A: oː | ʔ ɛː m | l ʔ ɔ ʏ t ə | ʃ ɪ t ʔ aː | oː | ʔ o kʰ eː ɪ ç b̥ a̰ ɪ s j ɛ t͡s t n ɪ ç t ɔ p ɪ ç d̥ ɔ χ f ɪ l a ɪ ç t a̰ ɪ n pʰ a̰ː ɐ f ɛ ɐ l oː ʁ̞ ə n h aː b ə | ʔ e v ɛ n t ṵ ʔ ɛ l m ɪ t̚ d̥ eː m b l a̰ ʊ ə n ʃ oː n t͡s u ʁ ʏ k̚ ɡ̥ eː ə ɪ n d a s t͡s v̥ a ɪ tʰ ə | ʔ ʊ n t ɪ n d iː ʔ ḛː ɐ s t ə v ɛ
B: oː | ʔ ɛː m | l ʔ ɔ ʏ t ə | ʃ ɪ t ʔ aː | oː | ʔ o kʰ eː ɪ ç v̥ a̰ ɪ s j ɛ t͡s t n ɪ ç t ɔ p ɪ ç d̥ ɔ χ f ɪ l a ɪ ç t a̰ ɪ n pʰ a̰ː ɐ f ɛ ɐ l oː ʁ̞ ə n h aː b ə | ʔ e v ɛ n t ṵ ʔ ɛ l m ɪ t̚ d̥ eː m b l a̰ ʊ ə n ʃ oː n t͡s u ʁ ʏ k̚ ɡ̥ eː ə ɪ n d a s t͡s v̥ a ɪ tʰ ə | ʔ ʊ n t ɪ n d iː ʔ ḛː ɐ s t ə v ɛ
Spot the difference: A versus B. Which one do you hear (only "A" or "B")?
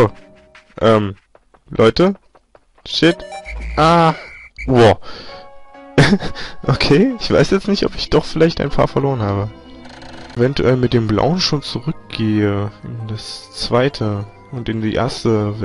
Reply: B